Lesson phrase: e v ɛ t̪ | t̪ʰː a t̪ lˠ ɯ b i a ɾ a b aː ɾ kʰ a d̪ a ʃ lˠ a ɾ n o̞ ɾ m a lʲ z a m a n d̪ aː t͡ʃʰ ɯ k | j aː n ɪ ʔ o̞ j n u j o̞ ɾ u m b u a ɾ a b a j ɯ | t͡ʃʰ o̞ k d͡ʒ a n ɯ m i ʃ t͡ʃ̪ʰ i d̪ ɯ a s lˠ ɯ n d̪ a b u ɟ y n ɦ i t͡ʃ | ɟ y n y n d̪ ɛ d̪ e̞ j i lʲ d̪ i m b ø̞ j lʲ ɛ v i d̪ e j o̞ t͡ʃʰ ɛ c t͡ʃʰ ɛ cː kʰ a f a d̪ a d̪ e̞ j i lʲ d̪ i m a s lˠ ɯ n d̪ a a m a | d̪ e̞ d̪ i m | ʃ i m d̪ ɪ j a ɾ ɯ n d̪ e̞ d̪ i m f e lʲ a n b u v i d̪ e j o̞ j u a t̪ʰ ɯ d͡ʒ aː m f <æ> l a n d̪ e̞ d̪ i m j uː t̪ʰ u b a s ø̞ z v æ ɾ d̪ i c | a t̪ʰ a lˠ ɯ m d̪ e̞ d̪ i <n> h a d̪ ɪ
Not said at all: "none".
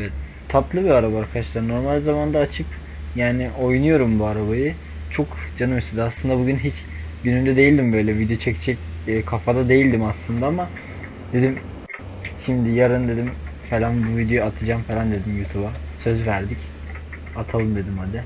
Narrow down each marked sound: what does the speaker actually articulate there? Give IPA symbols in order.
e, m

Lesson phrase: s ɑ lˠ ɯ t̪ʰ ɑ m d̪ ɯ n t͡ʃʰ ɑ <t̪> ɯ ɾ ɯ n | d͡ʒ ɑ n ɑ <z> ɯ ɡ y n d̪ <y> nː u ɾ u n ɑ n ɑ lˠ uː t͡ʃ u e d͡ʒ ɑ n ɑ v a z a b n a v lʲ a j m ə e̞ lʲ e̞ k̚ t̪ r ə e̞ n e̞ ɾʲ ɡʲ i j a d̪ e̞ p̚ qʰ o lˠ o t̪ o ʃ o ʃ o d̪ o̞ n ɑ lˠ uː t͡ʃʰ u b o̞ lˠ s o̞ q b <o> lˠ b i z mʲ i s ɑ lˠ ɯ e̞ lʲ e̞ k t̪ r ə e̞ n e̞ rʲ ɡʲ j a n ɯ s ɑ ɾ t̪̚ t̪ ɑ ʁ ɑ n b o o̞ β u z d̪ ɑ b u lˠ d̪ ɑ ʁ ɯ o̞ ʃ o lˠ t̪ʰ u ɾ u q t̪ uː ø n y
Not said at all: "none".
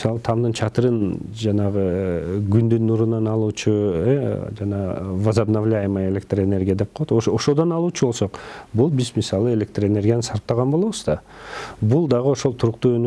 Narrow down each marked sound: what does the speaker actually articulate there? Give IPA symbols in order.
t̪, ʁ, y, u

